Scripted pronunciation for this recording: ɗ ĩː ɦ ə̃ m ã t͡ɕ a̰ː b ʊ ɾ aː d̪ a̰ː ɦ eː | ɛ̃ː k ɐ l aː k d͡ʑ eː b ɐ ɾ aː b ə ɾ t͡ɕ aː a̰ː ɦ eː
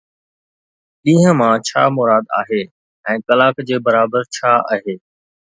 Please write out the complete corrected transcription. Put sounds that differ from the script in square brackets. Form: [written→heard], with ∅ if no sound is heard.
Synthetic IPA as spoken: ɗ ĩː ɦ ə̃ m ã [t͡ɕ→t͡ɕʰ] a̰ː [b→m] ʊ ɾ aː d̪ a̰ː ɦ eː | ɛ̃ː k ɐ l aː k d͡ʑ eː b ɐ ɾ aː b ə ɾ [t͡ɕ→t͡ɕʰ] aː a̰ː ɦ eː